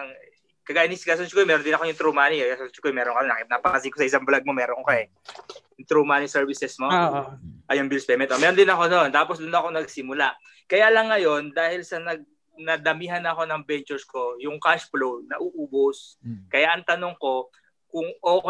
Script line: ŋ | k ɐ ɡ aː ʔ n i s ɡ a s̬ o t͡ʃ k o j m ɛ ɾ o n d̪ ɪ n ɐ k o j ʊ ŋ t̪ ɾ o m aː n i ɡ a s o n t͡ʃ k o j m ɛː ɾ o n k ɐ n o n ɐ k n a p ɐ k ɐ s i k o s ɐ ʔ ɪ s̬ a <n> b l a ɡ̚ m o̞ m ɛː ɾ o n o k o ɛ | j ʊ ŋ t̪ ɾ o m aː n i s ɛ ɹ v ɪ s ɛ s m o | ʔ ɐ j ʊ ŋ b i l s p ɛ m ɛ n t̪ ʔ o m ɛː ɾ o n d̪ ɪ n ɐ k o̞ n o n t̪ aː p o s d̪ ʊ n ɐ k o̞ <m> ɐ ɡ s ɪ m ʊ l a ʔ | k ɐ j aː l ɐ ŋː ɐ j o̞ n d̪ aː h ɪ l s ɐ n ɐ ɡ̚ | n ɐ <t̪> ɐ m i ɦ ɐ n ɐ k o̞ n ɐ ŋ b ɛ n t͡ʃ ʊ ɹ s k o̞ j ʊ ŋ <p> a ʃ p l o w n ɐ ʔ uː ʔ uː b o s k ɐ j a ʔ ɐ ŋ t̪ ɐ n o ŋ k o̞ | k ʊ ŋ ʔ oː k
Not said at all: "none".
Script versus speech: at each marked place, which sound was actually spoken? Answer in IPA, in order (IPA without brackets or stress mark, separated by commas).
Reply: ŋ, n, d̪, k